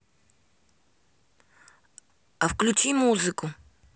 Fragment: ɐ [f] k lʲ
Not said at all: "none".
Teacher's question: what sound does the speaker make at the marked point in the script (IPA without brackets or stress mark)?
f